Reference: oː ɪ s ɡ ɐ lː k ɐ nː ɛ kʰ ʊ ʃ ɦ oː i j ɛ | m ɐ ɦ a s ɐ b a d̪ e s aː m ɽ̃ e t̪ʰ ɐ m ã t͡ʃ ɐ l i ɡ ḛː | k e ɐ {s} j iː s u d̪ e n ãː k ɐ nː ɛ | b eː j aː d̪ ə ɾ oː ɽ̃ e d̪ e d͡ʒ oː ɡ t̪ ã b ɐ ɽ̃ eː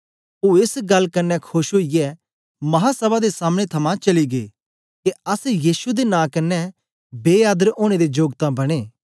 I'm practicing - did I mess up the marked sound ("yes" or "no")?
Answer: no